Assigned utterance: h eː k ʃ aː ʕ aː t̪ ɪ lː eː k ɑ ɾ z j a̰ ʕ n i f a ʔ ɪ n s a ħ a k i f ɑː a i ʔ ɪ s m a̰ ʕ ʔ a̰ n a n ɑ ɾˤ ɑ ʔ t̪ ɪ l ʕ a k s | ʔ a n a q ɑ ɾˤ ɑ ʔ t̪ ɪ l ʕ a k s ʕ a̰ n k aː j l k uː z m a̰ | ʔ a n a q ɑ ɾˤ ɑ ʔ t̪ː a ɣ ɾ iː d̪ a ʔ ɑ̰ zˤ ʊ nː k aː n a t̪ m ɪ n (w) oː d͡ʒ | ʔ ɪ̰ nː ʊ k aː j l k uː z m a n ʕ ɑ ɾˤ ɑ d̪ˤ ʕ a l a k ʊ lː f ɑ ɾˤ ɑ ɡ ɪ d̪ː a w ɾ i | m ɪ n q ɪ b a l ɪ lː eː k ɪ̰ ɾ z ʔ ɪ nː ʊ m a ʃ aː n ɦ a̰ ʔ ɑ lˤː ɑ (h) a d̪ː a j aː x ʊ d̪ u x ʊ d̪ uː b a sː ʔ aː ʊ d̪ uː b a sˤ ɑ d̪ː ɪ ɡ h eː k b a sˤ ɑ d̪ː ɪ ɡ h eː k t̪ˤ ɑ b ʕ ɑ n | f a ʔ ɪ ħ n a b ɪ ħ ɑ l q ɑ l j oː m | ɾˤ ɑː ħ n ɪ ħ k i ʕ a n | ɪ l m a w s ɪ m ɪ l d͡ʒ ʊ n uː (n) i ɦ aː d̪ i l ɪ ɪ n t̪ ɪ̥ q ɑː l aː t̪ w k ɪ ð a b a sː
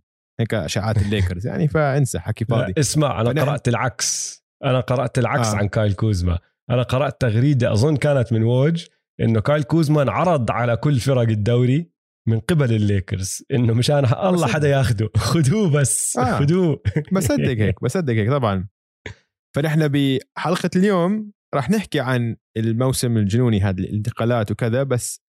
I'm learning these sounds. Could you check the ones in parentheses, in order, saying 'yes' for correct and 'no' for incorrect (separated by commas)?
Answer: yes, no, yes